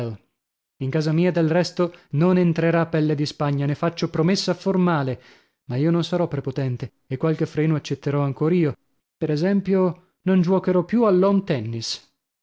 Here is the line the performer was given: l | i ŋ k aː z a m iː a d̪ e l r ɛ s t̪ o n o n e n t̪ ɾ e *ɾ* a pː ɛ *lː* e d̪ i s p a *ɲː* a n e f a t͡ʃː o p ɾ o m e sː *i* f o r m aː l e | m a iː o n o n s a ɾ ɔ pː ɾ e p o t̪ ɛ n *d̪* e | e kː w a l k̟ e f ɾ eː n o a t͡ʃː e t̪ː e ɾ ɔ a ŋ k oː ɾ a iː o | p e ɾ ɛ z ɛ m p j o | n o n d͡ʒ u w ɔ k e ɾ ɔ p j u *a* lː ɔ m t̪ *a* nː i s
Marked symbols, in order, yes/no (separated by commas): yes, yes, yes, no, no, yes, no